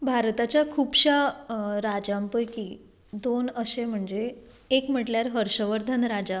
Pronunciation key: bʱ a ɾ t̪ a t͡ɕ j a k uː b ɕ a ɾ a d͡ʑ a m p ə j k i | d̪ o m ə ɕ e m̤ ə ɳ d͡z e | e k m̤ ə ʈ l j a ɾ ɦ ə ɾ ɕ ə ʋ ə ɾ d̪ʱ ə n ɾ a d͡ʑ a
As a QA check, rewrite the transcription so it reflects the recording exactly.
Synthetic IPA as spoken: bʱ a ɾ t̪ a t͡ɕ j a kʰ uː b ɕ a ɾ a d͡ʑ a m p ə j k i | d̪ o n ə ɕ e m̤ ə ɳ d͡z e | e k m̤ ə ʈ l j a ɾ ɦ ə ɾ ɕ ə ʋ ə ɾ d̪ʱ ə n ɾ a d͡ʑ a